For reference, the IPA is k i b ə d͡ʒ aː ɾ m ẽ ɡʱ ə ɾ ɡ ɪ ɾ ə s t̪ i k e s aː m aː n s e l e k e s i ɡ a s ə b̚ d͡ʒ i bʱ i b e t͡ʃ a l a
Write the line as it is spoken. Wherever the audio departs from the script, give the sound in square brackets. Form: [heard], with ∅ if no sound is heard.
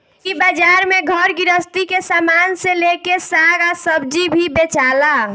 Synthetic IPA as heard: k i b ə d͡ʒ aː ɾ m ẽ ɡʱ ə ɾ ɡ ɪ ɾ ə s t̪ i k e s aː m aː n s e l e k e s [a] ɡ a s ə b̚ d͡ʒ i bʱ i b e t͡ʃ a l a